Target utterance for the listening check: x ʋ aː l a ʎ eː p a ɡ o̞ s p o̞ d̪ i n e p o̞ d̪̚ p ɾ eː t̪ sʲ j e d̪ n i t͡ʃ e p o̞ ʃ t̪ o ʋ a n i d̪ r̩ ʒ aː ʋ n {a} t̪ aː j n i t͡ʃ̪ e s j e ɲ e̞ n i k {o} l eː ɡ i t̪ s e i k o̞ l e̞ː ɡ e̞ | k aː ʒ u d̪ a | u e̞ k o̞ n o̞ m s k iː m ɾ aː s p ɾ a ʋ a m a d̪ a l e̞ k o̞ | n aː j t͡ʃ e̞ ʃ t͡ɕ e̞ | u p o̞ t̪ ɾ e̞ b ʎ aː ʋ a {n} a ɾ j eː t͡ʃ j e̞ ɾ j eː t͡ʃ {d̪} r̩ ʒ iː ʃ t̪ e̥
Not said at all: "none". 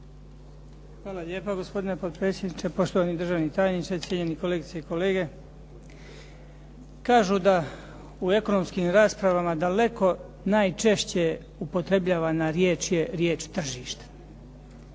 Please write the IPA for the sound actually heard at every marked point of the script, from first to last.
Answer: i, o, n, t̪

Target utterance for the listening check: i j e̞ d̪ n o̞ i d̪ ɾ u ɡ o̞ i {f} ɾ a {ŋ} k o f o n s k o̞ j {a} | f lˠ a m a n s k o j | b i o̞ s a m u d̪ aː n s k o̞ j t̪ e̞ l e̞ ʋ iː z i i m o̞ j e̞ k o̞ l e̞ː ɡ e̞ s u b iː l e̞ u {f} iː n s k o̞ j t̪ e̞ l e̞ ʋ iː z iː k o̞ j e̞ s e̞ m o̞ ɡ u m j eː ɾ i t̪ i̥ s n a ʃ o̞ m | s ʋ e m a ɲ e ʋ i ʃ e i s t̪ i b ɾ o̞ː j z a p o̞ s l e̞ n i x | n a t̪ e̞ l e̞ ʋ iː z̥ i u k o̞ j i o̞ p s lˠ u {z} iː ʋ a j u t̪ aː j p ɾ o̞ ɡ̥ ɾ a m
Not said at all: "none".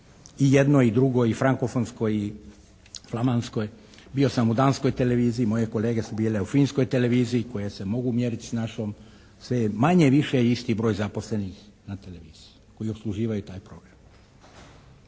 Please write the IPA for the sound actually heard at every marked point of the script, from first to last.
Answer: f, ŋ, i, f, ʒ

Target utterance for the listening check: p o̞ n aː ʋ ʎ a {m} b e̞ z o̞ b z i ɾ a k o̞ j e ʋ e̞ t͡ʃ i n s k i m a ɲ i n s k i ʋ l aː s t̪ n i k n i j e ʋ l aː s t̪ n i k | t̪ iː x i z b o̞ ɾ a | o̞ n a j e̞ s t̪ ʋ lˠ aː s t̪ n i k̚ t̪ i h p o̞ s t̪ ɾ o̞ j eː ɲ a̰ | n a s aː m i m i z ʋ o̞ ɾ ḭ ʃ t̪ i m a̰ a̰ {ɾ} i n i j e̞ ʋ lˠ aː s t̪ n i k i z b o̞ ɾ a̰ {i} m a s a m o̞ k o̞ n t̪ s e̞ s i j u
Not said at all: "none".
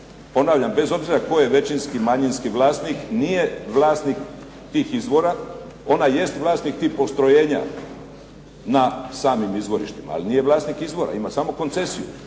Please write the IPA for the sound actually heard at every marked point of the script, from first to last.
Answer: m, l, i

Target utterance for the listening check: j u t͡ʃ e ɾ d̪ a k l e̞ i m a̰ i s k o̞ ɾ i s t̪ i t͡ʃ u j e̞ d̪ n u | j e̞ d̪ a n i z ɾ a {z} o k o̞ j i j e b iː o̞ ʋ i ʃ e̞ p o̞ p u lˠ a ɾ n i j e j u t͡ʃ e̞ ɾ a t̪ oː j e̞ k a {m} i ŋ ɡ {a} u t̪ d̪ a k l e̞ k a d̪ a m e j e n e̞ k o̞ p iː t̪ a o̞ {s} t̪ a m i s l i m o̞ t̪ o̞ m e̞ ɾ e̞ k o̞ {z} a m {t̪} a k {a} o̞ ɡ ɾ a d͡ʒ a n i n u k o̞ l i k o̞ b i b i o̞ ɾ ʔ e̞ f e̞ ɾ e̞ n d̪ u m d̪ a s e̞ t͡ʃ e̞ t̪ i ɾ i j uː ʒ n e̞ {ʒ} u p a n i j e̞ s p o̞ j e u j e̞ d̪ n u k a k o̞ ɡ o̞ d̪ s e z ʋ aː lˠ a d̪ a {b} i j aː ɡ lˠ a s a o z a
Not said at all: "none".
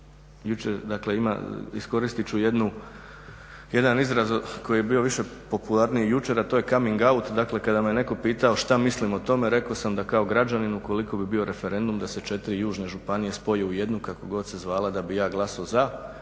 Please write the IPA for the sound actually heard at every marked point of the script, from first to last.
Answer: z, m, a, ʃ, s, d̪, a, ʒ, b

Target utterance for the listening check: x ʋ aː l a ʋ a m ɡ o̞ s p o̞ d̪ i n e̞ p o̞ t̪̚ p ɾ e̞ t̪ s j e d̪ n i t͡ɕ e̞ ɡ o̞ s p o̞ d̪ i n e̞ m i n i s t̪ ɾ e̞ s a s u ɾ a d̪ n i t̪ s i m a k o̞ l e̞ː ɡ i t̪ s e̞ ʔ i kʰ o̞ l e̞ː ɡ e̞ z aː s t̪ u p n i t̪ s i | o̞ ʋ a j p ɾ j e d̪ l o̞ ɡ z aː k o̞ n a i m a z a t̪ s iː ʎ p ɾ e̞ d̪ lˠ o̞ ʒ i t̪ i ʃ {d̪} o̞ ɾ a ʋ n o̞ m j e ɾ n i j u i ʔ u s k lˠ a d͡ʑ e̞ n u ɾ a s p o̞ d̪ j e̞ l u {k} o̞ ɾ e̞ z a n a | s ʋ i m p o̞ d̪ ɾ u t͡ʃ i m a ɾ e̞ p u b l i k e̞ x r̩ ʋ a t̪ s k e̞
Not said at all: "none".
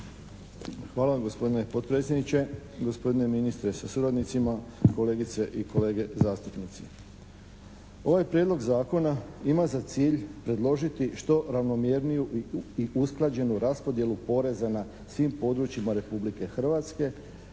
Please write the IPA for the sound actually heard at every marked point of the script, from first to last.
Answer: t̪, p

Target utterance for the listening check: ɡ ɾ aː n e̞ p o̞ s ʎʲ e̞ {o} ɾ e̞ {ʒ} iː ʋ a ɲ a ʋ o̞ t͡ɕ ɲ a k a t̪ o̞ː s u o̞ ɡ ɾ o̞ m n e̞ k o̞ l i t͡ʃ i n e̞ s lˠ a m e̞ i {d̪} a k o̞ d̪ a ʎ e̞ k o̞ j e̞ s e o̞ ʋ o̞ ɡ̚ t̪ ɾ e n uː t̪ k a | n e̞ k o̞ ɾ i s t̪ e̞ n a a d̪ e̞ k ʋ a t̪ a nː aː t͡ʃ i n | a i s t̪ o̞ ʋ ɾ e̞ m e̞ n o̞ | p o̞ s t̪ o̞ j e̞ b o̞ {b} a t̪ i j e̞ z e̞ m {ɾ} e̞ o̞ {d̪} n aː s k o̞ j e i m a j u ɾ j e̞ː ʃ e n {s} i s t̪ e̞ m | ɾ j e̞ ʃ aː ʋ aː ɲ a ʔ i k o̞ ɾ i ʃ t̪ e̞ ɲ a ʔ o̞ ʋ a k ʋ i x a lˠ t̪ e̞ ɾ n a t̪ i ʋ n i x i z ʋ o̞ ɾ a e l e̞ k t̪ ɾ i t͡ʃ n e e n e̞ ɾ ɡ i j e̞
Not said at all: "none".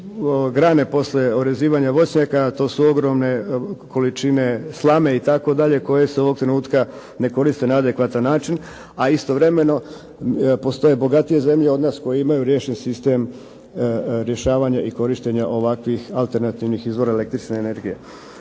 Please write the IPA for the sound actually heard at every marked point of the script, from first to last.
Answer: o, z, t̪, ɡ, ʎ, d̪, s

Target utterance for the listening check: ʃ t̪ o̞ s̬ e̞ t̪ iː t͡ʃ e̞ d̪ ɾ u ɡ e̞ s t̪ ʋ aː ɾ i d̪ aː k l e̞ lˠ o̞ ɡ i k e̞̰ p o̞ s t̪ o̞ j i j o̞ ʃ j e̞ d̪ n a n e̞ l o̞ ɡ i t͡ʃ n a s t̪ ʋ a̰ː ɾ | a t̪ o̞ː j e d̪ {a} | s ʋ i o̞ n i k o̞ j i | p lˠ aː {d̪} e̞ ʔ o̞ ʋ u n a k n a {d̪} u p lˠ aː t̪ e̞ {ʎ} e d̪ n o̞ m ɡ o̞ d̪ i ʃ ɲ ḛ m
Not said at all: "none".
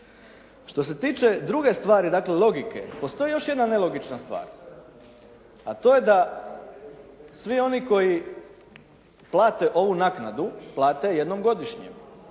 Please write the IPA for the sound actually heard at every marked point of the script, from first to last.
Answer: a, t̪, d̪, j

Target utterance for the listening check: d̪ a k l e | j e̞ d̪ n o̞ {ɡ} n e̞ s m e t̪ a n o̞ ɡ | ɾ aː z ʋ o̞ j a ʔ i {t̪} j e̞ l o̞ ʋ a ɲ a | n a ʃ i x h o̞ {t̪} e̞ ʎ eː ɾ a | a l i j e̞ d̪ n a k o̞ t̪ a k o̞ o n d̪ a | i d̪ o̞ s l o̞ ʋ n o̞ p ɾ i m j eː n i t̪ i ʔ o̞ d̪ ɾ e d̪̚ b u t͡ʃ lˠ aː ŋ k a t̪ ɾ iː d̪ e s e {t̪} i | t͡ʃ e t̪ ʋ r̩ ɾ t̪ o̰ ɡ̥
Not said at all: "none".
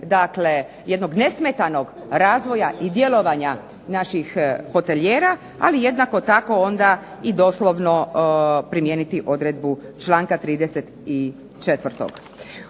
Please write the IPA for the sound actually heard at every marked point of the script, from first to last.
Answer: ɡ, d̪, t̪, t̪

